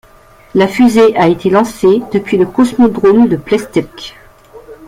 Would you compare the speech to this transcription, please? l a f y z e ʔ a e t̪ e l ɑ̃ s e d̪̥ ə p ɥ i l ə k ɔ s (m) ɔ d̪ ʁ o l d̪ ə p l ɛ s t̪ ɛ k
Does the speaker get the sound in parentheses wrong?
no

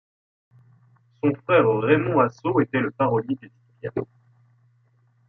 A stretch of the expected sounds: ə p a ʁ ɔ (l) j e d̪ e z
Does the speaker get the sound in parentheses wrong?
no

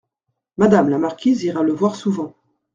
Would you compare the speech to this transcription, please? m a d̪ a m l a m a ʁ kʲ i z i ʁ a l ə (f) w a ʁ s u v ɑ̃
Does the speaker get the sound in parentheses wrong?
yes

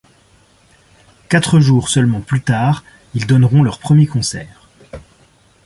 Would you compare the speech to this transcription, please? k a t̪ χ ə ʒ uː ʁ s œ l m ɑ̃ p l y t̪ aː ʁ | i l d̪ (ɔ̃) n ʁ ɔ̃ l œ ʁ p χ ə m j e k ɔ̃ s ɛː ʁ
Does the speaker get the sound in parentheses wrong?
yes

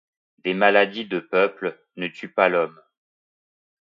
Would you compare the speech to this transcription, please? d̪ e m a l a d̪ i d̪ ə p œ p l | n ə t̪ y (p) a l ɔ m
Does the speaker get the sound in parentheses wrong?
no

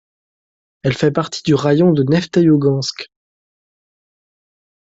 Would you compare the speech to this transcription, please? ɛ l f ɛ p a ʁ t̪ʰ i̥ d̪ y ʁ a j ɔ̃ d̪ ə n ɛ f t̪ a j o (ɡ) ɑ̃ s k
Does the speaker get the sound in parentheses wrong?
no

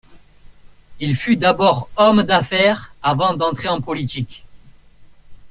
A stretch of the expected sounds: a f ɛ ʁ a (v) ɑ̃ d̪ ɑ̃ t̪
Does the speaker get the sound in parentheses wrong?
no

